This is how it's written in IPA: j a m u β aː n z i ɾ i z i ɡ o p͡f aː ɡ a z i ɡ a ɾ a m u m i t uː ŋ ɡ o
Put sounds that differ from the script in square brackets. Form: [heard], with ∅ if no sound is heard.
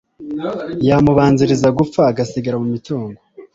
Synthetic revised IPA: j a m u β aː n z i ɾ i z [a] ɡ [u] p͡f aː ɡ a [s] i ɡ a ɾ a m u m i t uː ŋ ɡ o